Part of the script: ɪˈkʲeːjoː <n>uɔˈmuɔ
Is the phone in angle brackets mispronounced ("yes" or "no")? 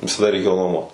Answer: no